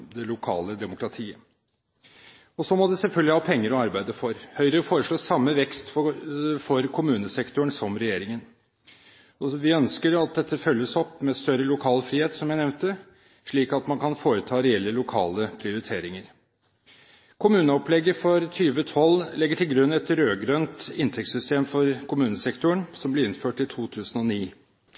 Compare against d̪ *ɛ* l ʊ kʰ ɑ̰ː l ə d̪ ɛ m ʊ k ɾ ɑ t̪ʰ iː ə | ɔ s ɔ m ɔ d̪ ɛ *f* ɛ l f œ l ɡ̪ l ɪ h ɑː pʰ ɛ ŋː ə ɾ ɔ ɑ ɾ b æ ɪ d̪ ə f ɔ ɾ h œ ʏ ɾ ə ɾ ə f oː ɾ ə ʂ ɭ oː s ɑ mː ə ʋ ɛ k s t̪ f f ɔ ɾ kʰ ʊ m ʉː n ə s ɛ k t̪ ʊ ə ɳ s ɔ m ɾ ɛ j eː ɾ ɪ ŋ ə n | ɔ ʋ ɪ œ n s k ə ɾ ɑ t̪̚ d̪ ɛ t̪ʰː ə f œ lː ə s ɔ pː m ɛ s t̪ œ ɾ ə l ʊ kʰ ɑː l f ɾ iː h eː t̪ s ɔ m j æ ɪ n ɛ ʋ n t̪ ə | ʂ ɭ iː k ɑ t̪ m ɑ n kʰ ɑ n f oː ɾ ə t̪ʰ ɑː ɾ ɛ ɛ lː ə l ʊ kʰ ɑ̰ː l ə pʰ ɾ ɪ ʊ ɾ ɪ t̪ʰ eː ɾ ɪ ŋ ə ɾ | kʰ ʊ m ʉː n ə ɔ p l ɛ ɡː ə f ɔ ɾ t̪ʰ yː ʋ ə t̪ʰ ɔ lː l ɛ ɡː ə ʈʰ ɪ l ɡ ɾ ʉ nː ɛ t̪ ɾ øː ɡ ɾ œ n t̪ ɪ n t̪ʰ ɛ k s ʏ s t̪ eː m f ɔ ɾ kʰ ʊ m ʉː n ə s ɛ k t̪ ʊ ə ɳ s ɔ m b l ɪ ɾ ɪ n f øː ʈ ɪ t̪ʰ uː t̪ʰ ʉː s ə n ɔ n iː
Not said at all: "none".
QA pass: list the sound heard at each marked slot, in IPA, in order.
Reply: ɛ, s

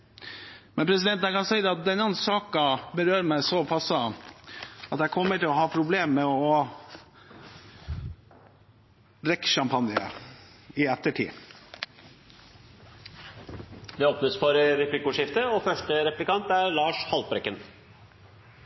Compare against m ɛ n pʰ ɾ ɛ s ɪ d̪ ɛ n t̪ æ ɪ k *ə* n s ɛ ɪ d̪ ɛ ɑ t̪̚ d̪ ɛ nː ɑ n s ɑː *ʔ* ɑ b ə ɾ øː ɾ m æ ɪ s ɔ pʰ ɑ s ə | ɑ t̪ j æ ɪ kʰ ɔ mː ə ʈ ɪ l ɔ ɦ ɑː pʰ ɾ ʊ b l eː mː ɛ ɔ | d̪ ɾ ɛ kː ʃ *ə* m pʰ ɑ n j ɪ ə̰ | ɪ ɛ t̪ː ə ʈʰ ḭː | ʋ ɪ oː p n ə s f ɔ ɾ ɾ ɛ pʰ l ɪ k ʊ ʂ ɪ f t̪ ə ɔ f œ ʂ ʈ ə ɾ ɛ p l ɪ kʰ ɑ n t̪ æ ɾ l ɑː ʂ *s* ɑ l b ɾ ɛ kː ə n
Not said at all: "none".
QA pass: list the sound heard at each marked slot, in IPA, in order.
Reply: ɑ, k, ɑ, h

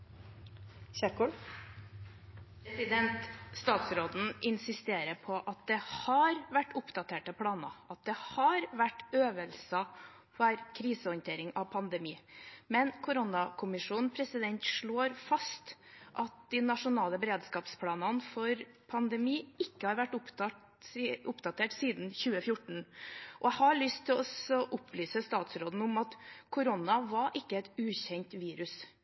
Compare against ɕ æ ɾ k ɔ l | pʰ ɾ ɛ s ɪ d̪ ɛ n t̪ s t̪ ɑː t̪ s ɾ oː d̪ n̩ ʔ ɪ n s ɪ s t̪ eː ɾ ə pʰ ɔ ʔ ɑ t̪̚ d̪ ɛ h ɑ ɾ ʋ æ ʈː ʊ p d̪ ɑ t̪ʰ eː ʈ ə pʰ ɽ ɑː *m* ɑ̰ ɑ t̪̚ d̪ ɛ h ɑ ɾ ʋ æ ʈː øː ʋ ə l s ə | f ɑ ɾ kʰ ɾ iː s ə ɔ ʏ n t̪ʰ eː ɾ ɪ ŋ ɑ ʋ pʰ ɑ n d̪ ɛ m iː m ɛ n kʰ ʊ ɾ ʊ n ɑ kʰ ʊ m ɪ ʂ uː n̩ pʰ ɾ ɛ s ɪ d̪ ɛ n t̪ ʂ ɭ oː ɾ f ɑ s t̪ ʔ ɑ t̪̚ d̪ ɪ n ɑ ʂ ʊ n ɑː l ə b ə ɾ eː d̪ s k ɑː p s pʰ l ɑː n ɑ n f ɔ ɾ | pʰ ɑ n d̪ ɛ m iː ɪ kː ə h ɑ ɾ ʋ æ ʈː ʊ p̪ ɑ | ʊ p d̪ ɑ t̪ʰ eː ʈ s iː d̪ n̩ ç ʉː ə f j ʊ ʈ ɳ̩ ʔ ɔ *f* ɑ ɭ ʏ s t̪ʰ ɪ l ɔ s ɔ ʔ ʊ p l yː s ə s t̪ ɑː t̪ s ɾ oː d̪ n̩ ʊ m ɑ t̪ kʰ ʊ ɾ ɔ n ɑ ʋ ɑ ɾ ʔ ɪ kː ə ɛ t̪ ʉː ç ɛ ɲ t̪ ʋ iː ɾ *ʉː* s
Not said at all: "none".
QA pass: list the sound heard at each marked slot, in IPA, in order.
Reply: n, h, ʉ

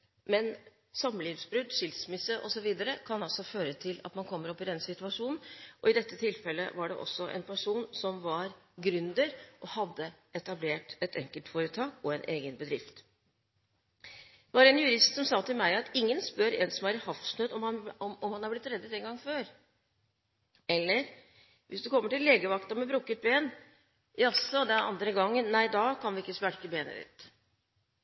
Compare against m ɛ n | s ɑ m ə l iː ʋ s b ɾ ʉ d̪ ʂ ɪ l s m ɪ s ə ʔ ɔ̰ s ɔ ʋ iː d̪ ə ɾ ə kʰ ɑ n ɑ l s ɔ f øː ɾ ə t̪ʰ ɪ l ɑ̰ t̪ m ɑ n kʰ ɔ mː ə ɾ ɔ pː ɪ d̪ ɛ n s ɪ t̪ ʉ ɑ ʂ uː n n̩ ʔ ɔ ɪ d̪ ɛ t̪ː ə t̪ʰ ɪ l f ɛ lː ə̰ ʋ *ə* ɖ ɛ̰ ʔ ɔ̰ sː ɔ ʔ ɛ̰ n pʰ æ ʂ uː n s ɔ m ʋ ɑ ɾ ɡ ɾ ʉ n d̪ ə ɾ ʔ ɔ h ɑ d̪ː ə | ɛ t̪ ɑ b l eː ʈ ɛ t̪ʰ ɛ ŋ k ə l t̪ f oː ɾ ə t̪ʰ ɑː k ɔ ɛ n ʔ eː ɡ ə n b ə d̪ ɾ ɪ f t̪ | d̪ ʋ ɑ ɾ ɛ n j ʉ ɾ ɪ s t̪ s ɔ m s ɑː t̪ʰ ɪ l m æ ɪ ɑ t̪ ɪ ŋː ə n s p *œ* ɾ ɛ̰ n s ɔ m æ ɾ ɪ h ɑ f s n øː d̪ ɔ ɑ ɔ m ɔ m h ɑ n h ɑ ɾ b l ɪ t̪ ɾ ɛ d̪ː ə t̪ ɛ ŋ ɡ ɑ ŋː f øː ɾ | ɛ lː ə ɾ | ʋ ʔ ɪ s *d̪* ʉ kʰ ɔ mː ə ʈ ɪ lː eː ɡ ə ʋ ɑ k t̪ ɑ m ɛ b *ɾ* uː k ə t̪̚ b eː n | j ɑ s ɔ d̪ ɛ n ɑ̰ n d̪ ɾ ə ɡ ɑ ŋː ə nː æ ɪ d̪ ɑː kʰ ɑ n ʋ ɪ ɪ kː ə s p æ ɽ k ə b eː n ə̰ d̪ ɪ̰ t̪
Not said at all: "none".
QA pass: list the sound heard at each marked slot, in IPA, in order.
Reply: ɑ, œ, d̪, ɾ

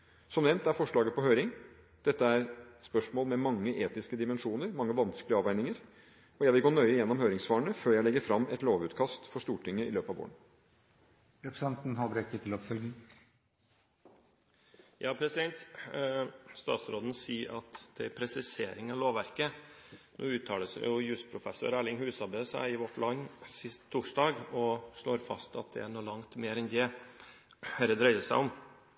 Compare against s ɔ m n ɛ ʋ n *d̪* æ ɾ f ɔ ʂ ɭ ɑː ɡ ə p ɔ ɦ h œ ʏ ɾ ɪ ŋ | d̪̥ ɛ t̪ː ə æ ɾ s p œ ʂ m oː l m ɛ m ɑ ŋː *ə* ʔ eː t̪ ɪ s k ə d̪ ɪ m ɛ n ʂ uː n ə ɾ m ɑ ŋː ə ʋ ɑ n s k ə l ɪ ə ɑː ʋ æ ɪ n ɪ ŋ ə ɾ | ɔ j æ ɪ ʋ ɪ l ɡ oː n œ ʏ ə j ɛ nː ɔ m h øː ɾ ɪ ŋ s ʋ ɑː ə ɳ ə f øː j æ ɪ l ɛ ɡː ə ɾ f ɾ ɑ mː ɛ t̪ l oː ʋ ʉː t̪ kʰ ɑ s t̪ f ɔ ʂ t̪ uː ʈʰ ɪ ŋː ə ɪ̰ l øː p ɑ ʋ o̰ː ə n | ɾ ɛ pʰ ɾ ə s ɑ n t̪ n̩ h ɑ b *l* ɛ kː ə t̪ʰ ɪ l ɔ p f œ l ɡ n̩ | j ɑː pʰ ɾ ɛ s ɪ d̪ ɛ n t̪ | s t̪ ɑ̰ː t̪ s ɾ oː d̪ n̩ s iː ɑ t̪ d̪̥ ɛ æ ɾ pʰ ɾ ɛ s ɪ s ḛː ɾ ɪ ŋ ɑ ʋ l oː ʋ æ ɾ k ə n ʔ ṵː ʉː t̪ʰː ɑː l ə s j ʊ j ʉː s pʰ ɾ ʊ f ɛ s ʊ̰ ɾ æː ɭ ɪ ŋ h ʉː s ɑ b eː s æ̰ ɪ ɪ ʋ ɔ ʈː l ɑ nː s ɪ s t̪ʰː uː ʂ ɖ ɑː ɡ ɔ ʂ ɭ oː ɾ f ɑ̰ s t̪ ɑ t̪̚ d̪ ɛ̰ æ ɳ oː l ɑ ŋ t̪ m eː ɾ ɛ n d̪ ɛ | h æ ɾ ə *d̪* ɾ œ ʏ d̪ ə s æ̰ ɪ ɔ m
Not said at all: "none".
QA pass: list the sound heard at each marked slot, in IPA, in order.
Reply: t̪, ə, ɾ, d̪

